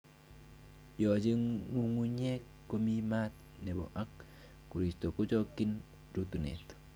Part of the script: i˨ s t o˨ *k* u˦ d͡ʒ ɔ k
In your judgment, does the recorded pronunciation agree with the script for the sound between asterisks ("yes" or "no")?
yes